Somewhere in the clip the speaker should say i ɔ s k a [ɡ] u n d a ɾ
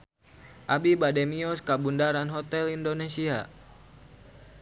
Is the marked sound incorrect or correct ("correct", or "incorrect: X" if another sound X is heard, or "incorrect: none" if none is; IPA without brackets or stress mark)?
incorrect: b